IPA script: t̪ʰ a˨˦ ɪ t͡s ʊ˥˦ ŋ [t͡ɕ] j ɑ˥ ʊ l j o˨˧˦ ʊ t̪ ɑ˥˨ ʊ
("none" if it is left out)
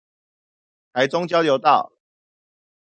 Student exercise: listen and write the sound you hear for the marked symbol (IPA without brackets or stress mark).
t͡ɕ